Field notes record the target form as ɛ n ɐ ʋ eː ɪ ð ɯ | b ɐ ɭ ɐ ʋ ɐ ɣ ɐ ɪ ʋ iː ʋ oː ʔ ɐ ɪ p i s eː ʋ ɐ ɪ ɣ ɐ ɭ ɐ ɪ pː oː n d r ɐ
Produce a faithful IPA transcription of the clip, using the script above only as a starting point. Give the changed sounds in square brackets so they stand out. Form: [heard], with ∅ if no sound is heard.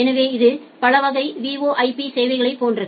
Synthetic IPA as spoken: ɛ n ɐ ʋ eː ɪ ð ɯ | [p] ɐ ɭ ɐ ʋ ɐ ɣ ɐ ɪ ʋ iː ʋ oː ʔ ɐ ɪ p i s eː ʋ ɐ ɪ ɣ ɐ ɭ ɐ ɪ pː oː n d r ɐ